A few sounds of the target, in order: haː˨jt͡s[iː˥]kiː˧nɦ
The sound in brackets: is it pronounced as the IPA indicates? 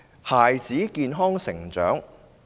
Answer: no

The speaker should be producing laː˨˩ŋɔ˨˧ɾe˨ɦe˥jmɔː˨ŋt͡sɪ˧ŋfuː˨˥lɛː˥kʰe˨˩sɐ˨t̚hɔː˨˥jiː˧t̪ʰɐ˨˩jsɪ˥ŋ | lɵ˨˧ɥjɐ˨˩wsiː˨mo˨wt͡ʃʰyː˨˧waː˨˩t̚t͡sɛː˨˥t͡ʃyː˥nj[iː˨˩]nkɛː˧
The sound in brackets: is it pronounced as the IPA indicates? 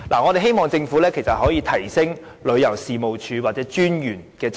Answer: no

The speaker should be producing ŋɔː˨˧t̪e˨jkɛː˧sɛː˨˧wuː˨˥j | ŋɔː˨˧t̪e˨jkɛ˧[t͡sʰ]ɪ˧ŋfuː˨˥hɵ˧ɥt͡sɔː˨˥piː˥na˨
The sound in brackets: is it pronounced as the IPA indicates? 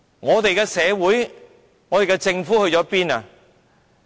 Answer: no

